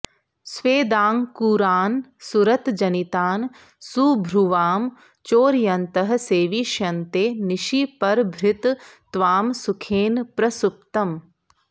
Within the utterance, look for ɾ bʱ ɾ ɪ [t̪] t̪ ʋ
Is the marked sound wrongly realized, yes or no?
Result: no